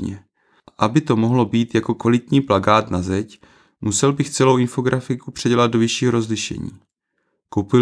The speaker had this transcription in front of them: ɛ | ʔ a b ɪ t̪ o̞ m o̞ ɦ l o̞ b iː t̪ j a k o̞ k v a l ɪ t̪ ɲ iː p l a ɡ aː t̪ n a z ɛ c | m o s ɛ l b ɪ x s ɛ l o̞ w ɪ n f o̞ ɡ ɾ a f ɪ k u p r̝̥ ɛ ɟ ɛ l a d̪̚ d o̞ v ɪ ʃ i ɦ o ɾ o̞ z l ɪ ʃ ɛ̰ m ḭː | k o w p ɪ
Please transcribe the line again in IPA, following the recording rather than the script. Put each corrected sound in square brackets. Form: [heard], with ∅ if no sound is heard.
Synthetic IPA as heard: ɛ | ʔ a b ɪ t̪ o̞ m o̞ ɦ l o̞ b iː t̪ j a k o̞ k v a l ɪ t̪ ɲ iː p l a ɡ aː t̪ n a z ɛ c | m [u] s ɛ l b ɪ x [t͡s] ɛ l o̞ w ɪ n f o̞ ɡ ɾ a f ɪ k u p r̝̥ ɛ ɟ ɛ l a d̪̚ d o̞ v ɪ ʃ [iː] ɦ o ɾ o̞ z l ɪ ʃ ɛ̰ [ɲ] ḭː | k o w p ɪ